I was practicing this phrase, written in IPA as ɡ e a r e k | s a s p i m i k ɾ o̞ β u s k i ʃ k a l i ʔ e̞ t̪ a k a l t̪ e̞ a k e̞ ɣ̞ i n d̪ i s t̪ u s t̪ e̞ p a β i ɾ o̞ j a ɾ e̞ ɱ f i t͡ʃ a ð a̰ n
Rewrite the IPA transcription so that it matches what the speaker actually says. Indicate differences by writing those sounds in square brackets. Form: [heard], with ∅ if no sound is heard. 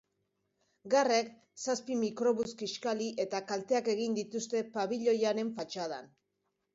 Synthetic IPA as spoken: ɡ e a r e k | s a s p i m i k ɾ o̞ β u s k i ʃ k a l i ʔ e̞ t̪ a k a l t̪ e̞ a k e̞ ɣ̞ i n d̪ i [∅] t̪ u s t̪ e̞ p a β i [ʎ] o̞ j a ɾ e̞ ɱ f [a] t͡ʃ a ð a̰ n